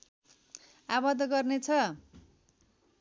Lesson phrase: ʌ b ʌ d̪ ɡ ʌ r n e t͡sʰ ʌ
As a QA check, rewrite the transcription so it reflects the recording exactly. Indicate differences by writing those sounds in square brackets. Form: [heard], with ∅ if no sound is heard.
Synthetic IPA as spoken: [a] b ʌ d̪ ɡ ʌ r n e t͡sʰ ʌ